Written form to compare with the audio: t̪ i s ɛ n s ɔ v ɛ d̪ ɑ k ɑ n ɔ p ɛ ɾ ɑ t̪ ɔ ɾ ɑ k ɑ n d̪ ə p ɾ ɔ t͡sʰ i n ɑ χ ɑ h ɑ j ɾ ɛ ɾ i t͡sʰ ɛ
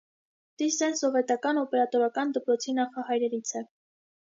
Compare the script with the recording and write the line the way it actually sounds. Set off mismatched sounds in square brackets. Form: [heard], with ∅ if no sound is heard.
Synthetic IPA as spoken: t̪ i s ɛ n s ɔ v ɛ [t̪] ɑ k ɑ n ɔ p ɛ ɾ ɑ t̪ ɔ ɾ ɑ k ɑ n d̪ ə p ɾ ɔ t͡sʰ i n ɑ χ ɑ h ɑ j ɾ ɛ ɾ i t͡sʰ ɛ